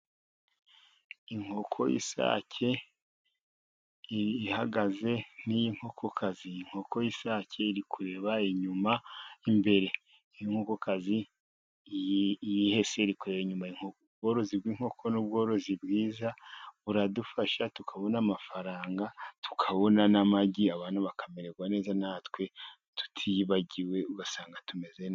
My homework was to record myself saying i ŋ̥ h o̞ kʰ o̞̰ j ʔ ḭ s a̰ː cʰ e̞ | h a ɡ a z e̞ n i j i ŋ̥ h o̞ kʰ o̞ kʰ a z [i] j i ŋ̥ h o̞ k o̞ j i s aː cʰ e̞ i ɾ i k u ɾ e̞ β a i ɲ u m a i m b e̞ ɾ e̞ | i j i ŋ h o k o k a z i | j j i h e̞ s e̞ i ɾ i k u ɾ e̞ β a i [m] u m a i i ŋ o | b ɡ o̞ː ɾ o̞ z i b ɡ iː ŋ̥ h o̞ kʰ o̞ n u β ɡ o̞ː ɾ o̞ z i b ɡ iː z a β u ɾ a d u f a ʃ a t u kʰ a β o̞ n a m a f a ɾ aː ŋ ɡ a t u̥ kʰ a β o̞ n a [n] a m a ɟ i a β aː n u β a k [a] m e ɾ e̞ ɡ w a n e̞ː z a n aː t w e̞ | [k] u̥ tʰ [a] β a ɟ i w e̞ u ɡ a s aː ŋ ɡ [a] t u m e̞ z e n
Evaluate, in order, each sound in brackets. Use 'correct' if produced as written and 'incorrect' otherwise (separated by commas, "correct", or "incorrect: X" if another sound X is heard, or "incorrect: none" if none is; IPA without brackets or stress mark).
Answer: correct, incorrect: ɲ, correct, correct, incorrect: t, incorrect: i, correct